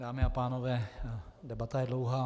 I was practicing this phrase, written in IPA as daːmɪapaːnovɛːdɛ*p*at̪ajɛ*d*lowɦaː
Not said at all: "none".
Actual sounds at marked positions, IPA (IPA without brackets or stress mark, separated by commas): b, d